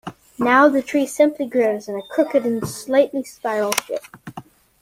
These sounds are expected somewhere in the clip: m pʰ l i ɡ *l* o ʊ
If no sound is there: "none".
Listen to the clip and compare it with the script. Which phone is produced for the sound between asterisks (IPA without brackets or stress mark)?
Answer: ɹ